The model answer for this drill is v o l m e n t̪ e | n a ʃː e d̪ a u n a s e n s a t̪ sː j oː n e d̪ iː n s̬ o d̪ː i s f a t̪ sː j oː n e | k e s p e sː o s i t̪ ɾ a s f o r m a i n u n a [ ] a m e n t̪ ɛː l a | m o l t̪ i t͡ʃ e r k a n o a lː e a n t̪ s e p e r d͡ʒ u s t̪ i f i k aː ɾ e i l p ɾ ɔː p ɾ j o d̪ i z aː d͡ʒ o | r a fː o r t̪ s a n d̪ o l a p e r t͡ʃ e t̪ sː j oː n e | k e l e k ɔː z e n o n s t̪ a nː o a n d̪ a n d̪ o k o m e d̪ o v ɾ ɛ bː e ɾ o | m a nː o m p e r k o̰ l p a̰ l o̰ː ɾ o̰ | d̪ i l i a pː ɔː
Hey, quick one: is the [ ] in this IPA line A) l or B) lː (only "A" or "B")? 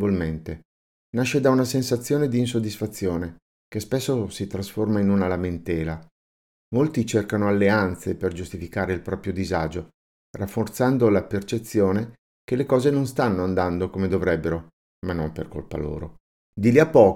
A